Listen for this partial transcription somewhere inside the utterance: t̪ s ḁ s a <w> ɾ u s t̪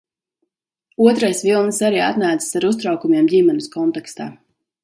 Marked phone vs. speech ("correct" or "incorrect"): incorrect